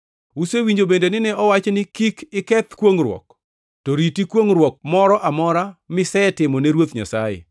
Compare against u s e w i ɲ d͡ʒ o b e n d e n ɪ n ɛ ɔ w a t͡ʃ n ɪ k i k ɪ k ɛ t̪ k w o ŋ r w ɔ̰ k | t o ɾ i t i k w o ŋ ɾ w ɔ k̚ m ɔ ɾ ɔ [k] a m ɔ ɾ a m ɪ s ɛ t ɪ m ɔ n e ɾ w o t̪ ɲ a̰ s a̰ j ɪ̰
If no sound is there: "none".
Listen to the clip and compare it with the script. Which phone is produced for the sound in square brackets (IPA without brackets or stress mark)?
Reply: ʔ